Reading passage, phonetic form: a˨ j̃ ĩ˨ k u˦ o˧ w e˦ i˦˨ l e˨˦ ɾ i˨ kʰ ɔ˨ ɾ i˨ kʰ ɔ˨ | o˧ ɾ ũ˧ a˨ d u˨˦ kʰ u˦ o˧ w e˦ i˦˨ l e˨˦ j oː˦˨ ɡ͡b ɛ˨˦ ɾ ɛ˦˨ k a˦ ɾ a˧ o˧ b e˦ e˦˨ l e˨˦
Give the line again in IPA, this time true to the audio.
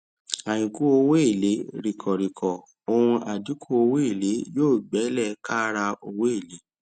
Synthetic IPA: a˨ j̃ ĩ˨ k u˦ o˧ w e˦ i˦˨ l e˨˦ ɾ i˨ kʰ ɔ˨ ɾ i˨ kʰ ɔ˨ | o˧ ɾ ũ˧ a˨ d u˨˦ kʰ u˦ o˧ w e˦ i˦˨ l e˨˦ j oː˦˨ ɡ͡b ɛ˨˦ l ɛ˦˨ k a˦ ɾ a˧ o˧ w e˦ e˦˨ l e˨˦